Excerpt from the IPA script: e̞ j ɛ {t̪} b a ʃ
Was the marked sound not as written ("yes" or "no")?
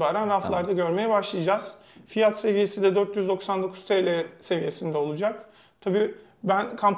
yes